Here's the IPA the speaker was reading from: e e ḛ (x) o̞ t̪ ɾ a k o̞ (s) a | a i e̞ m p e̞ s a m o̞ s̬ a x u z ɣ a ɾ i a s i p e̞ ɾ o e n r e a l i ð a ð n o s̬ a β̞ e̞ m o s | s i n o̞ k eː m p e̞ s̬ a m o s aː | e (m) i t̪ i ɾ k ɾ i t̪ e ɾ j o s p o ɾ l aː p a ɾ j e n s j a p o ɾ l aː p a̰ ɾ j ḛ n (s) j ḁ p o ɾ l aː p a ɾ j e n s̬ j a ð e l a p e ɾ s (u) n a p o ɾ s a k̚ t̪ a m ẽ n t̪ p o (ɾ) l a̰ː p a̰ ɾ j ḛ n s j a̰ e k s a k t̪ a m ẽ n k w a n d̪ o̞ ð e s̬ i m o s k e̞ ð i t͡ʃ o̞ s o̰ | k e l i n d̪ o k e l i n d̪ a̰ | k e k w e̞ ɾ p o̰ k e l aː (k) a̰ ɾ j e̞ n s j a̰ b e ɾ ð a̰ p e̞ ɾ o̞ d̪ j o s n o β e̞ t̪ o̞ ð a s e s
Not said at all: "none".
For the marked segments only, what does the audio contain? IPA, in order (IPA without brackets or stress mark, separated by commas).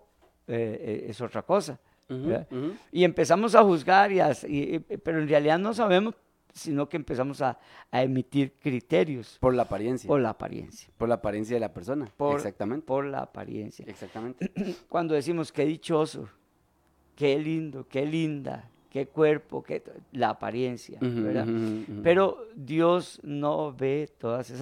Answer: s, s, m, s, o, ɾ, p